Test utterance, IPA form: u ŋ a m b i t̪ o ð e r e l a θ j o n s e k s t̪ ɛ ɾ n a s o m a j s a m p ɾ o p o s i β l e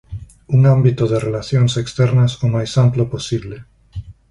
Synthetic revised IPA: u ŋ a m b i t̪ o ð e r e l a θ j o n s e k s t̪ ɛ ɾ n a s o m a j s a m p l o p o s i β l e

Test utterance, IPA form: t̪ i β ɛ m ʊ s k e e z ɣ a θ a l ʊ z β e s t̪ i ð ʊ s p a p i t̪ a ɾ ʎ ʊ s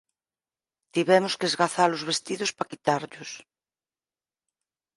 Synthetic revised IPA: t̪ i β ɛ m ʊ s k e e z ɣ a θ a l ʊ z β e s t̪ i ð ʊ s p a k i t̪ a ɾ ʎ ʊ s

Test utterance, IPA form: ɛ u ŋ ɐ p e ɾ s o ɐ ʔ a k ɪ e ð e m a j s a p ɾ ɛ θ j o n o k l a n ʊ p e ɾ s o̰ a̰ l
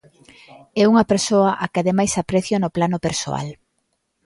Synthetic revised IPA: ɛ u ŋ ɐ p e ɾ s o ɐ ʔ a k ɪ a ð e m a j s a p ɾ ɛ θ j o n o p l a n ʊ p e ɾ s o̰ a̰ l

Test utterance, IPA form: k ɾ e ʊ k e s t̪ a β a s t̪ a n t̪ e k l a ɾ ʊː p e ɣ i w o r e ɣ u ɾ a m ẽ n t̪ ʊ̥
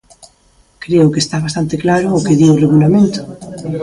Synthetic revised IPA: k ɾ e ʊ k e s t̪ a β a s t̪ a n t̪ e k l a ɾ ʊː k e ð i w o r e ɣ u l a m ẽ n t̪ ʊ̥

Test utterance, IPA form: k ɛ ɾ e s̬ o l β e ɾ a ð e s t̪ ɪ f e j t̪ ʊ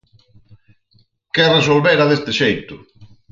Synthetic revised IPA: k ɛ r e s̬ o l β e ɾ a ð e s t̪ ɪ ʃ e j t̪ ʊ

